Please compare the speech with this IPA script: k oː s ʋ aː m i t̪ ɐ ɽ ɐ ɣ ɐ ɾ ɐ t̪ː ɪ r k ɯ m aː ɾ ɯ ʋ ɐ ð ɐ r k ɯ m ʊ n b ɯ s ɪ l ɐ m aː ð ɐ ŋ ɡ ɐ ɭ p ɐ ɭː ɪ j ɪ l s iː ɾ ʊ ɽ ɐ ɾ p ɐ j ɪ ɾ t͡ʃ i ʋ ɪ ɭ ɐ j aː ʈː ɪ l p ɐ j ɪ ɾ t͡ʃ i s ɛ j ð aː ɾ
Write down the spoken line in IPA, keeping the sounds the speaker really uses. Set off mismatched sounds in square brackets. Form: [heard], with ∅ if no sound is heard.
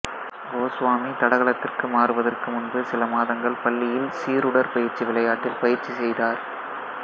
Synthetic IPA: [ɡ] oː s ʋ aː m i t̪ ɐ ɽ ɐ ɣ ɐ [ɭ] ɐ t̪ː ɪ r k ɯ m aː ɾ ɯ ʋ ɐ ð ɐ r k ɯ m ʊ n b ɯ s ɪ l ɐ m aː ð ɐ ŋ ɡ ɐ ɭ p ɐ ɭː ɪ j ɪ l s iː ɾ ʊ ɽ ɐ ɾ p ɐ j ɪ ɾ t͡ʃ i ʋ ɪ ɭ ɐ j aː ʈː ɪ l p ɐ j ɪ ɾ t͡ʃ i s ɛ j ð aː ɾ